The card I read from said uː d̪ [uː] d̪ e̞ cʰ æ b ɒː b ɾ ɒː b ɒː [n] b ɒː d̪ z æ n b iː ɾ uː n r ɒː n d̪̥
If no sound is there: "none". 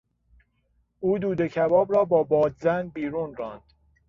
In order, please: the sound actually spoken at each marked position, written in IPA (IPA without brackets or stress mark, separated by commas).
uː, none